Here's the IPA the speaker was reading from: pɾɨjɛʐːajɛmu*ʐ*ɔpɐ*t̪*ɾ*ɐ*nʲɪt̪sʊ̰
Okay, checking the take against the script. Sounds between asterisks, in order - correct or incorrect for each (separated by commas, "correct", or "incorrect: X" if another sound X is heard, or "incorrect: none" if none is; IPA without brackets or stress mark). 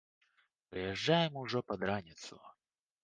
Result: correct, incorrect: d̪, incorrect: a